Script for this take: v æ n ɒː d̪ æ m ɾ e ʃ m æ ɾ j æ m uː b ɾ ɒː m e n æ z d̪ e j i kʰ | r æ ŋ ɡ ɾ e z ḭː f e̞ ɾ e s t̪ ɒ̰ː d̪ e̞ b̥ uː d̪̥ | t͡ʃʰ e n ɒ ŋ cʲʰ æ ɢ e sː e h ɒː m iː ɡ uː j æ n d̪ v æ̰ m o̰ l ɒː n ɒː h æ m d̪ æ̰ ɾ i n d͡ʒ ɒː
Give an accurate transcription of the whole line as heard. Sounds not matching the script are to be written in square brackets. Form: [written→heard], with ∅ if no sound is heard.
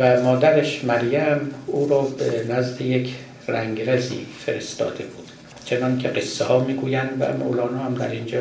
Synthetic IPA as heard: v æ [n→m] ɒː d̪ æ [m→∅] ɾ e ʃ m æ ɾ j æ m uː [b→∅] ɾ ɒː [m→b] e n æ z d̪ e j [i→e] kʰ | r æ ŋ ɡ ɾ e z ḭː f e̞ ɾ e s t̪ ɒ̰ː d̪ e̞ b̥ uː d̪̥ | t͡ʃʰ e n ɒ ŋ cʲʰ [æ→e] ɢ e sː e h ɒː m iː ɡ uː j æ n d̪ v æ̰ m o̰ l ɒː n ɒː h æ m d̪ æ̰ ɾ i n d͡ʒ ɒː